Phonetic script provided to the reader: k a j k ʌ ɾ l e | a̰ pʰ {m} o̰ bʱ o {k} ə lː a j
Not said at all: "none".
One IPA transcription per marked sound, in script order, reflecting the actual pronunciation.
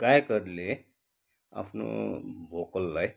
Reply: n, k

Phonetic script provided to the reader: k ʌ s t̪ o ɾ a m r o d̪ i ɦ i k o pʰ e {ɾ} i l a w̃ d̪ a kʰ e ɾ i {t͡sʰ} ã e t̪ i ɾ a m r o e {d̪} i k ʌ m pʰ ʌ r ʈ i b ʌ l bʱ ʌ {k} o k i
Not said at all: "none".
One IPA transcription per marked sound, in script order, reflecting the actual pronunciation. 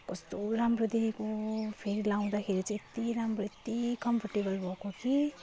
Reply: ɾ, t͡s, t̪, k

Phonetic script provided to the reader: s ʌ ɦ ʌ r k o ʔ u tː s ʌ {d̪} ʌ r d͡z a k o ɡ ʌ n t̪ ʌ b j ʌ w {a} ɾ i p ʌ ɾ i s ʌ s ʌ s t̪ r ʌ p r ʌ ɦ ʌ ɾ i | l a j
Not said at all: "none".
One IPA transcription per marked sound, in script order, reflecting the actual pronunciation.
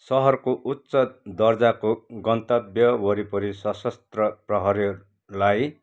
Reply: d̪, ʌ

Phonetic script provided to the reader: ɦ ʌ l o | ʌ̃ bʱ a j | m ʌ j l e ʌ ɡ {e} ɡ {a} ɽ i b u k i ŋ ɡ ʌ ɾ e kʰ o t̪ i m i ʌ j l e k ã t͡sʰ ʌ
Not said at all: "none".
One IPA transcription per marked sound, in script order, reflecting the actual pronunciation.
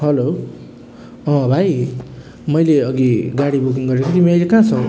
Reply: i, a

